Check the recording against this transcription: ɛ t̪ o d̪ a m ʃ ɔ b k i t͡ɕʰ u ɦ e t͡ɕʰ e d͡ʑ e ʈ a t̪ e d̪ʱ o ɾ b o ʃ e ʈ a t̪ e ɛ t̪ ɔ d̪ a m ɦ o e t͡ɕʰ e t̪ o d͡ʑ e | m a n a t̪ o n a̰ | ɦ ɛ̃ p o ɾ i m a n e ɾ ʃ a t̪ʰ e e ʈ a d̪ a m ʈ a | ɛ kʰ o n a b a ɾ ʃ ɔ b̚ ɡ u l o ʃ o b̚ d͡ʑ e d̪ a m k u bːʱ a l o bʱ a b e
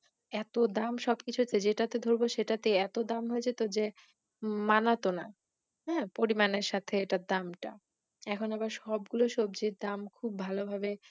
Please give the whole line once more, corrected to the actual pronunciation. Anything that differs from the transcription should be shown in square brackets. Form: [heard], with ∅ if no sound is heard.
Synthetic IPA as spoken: ɛ t̪ o d̪ a m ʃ ɔ b k i t͡ɕʰ u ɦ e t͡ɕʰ e d͡ʑ e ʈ a t̪ e d̪ʱ o ɾ b o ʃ e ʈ a t̪ e ɛ t̪ [o] d̪ a m ɦ o e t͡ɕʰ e t̪ o d͡ʑ e | m a n a t̪ o n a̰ | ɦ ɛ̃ p o ɾ i m a n e ɾ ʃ a t̪ʰ e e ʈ a d̪ a m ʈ a | ɛ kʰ o n a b a ɾ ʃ ɔ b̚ ɡ u l o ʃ o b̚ d͡ʑ e d̪ a m [kʰ] u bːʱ a l o bʱ a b e

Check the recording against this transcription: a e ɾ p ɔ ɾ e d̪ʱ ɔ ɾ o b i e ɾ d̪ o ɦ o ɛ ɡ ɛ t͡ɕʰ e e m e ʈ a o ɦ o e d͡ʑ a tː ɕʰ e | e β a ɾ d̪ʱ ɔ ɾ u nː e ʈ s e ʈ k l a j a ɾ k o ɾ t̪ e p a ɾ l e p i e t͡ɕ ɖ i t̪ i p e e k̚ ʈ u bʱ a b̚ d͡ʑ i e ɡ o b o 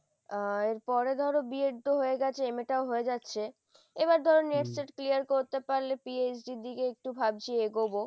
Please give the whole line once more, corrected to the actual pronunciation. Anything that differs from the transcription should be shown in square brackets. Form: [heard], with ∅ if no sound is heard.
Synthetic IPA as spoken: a e ɾ p ɔ ɾ e d̪ʱ ɔ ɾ o b i e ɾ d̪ o ɦ o [e] ɡ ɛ t͡ɕʰ e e m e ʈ a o ɦ o e d͡ʑ a tː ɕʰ e | e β a ɾ d̪ʱ ɔ ɾ [o] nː e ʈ s e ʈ k l [i] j a ɾ k o ɾ t̪ e p a ɾ l e p i e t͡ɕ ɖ i [d̪] i [k] e e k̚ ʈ u bʱ a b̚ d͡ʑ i e ɡ o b o

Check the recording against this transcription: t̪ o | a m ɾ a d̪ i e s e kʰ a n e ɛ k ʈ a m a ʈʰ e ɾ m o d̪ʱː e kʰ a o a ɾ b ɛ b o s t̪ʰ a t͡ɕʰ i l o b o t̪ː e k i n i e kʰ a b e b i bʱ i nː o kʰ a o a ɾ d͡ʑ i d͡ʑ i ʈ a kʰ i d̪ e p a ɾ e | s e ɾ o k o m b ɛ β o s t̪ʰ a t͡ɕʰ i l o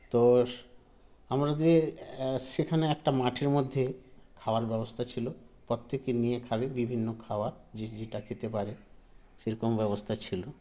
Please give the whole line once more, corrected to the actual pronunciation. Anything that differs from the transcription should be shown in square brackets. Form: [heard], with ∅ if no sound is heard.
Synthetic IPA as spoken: t̪ o | a m ɾ a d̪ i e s e kʰ a n e ɛ k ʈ a m a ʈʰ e ɾ m o d̪ʱː e kʰ a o a ɾ b ɛ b o s t̪ʰ a t͡ɕʰ i l o [p] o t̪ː e k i n i e kʰ a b e b i bʱ i nː o kʰ a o a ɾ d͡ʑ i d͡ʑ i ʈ a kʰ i [t̪] e p a ɾ e | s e ɾ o k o m b ɛ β o s t̪ʰ a t͡ɕʰ i l o

